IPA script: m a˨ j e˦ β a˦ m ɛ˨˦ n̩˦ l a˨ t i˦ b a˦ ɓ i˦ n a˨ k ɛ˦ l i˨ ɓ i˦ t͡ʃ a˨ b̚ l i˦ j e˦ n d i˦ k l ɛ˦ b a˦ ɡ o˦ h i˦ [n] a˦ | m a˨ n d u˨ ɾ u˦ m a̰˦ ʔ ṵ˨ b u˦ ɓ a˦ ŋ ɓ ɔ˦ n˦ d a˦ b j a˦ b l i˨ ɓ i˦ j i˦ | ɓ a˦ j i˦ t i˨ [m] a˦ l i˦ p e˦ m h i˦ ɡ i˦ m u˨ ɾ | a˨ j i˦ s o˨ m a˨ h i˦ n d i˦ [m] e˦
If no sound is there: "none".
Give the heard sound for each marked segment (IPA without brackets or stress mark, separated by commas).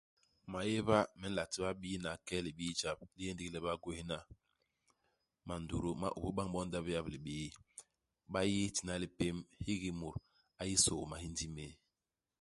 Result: n, n, m